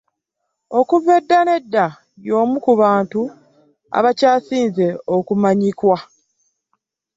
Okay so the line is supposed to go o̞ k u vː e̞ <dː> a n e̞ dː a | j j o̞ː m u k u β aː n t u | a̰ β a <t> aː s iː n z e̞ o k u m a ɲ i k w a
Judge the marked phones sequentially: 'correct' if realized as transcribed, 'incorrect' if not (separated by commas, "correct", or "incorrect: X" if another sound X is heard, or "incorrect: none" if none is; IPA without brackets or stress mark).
correct, incorrect: c